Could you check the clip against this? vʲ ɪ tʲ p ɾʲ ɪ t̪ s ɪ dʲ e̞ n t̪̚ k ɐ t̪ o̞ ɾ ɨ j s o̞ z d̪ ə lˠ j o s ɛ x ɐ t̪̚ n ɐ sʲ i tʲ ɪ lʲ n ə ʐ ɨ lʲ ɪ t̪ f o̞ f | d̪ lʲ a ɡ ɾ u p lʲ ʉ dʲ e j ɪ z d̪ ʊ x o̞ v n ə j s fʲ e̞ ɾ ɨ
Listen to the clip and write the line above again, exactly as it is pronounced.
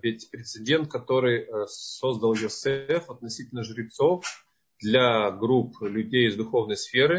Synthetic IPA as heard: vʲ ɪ tʲ p ɾʲ ɪ t̪ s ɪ dʲ e̞ n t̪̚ k ɐ t̪ o̞ ɾ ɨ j s o̞ z d̪ ə lˠ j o s ɛ f ɐ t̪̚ n ɐ sʲ i tʲ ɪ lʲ n ə ʐ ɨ ɾʲ ɪ t̪ s o̞ f | d̪ lʲ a ɡ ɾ u p lʲ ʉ dʲ e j ɪ z d̪ ʊ x o̞ v n ə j s fʲ e̞ ɾ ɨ